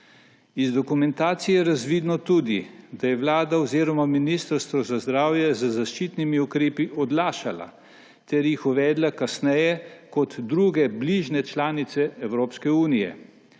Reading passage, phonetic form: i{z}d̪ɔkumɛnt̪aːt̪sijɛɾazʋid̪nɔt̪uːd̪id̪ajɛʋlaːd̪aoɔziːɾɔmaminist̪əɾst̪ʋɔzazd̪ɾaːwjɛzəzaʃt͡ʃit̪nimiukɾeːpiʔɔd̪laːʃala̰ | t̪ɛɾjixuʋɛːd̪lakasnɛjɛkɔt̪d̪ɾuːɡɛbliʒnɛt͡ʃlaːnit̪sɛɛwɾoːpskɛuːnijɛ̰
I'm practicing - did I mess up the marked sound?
no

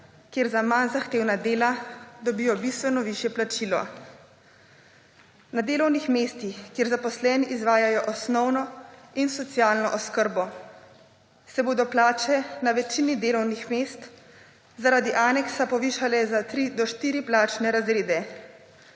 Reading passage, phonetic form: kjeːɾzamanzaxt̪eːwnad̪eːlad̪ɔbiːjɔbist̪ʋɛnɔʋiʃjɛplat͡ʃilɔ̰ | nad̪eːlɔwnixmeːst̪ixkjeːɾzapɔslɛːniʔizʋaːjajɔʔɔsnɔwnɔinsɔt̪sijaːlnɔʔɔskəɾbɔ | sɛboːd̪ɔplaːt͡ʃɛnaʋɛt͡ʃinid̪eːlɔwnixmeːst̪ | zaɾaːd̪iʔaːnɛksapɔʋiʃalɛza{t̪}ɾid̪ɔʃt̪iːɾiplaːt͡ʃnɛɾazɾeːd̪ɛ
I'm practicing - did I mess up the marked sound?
no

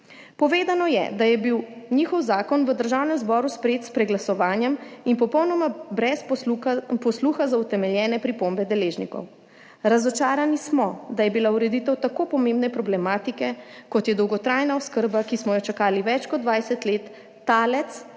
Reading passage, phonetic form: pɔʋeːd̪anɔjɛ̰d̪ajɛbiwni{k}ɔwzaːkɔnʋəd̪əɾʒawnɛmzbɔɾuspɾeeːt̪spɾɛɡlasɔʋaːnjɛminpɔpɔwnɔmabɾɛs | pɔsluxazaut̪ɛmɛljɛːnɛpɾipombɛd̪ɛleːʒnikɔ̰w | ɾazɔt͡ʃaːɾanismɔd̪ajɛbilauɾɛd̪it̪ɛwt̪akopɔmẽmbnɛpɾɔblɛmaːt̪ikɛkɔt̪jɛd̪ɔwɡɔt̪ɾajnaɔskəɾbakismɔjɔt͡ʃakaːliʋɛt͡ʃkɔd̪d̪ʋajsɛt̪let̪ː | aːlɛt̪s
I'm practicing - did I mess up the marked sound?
yes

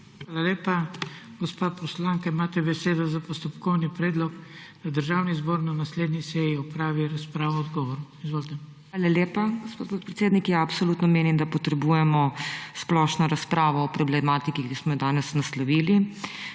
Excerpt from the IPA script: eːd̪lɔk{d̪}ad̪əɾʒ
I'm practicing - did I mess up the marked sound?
no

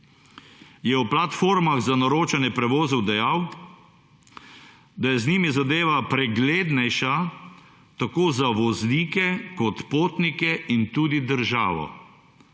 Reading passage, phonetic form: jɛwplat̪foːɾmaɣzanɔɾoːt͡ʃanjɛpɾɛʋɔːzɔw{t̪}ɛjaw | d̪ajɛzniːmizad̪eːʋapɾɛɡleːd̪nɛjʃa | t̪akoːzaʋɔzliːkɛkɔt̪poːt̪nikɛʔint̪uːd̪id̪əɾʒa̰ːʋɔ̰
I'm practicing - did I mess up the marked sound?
yes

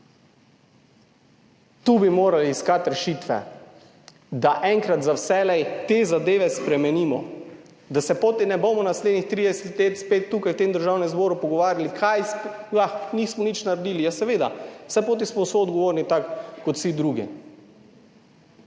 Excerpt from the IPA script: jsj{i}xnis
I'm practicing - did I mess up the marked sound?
yes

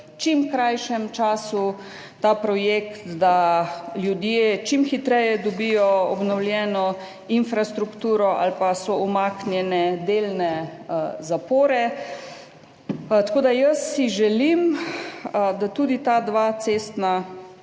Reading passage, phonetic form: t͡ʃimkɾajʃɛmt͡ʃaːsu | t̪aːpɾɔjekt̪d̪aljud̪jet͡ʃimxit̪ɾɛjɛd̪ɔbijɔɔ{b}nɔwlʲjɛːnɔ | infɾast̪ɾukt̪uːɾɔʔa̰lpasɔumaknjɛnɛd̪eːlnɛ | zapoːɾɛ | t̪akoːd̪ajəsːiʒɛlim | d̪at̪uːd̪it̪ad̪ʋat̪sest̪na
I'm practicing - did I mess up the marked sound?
no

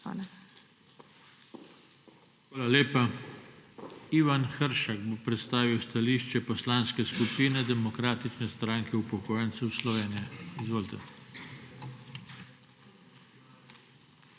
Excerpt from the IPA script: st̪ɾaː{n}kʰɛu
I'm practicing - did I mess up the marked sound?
yes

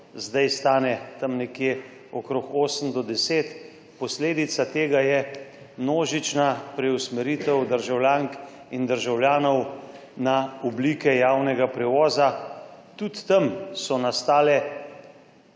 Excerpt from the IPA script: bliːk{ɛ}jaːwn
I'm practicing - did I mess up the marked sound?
no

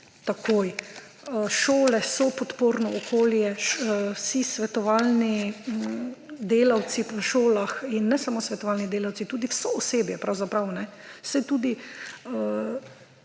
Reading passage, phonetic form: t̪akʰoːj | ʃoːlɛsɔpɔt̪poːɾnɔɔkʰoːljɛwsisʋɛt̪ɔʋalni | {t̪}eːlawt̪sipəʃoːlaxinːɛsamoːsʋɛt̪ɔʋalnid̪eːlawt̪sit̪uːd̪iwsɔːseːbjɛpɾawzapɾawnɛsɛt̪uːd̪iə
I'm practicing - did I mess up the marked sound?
yes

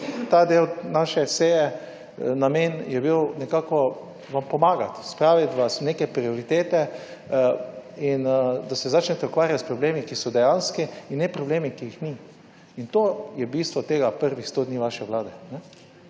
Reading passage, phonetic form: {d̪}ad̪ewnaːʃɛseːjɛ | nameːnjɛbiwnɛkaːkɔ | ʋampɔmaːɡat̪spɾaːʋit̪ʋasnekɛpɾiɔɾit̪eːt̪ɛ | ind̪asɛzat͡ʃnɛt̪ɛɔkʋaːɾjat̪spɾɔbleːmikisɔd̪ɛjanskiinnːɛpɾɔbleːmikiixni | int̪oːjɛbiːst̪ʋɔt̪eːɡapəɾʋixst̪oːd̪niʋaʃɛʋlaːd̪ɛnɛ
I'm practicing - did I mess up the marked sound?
yes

